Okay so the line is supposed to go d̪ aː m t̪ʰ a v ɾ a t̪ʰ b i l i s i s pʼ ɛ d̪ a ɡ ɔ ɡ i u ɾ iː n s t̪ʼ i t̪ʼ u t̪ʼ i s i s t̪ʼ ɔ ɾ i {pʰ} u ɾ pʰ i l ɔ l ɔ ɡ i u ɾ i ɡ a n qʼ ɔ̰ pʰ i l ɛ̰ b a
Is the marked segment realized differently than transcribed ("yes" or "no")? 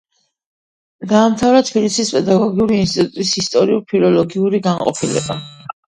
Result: yes